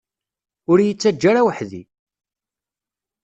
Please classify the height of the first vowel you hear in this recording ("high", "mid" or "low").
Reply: high